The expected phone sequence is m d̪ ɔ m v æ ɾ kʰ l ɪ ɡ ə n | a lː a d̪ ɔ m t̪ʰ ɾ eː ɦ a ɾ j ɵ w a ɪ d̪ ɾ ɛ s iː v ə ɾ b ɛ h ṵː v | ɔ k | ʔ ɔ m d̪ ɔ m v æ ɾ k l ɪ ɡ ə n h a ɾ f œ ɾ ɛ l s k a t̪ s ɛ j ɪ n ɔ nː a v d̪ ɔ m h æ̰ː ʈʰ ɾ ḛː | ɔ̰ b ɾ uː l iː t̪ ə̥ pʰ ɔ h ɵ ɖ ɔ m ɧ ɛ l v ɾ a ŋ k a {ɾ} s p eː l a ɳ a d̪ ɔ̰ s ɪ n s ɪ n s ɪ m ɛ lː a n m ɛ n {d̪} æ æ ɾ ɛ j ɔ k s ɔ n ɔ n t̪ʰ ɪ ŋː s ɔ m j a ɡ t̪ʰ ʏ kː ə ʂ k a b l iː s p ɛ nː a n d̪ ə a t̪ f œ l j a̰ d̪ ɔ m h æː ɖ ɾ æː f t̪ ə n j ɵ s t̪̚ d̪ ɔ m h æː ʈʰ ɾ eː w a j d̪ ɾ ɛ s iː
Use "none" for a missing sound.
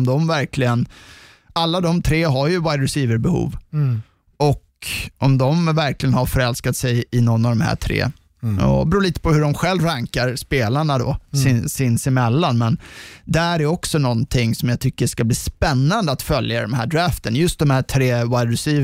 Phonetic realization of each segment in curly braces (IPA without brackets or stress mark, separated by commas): ɾ, d̪